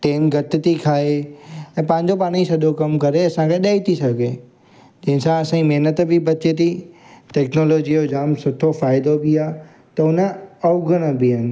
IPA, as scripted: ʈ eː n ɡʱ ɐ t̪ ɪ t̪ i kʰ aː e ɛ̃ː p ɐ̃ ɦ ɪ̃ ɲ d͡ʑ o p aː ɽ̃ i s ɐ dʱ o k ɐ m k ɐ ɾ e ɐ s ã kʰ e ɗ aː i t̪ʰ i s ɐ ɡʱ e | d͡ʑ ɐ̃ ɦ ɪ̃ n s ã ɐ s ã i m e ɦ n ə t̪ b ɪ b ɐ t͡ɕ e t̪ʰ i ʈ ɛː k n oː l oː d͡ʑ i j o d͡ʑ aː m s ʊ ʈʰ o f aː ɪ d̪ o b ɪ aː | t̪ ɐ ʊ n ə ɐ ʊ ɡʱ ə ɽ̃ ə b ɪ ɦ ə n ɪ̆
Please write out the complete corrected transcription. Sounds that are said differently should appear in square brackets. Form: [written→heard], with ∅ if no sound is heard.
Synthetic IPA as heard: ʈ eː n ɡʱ ɐ t̪ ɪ t̪ i kʰ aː e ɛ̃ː p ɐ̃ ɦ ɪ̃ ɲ d͡ʑ o p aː ɽ̃ i s ɐ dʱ o k ɐ m k ɐ ɾ e ɐ s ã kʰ e ɗ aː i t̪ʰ i s ɐ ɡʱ e | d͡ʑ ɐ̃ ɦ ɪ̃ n s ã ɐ s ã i m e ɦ n ə t̪ b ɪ b ɐ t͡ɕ e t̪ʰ i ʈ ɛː k n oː l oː d͡ʑ i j o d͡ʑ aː m s ʊ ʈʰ o f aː ɪ d̪ o b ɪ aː | t̪ ɐ ʊ n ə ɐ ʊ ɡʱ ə ɽ̃ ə b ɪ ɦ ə n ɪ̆